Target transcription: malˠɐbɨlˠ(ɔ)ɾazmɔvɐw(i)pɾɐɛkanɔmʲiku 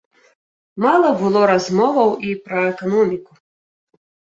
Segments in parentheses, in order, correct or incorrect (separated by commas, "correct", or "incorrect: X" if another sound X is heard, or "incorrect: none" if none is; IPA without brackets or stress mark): correct, correct